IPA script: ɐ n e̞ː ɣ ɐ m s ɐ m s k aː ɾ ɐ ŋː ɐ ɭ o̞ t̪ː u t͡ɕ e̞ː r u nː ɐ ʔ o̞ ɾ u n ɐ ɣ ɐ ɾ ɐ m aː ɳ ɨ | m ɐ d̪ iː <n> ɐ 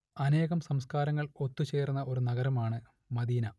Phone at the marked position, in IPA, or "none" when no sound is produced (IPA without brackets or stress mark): n